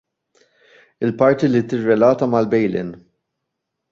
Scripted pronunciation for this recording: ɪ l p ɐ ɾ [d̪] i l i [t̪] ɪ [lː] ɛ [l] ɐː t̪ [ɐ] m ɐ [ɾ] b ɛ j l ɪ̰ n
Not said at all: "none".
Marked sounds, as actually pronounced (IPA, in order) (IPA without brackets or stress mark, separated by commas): t̪, t̪, rː, l, ɐ, l